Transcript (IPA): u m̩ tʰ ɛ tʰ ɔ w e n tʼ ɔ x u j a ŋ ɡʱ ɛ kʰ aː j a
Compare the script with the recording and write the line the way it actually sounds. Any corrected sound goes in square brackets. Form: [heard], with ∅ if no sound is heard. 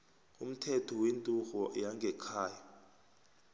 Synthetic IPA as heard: u m̩ tʰ ɛ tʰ ɔ w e n tʼ [u] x [ɔ] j a ŋ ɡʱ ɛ kʰ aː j a